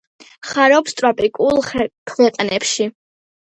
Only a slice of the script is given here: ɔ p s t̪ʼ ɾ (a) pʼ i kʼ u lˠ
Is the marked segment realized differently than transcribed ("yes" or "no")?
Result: no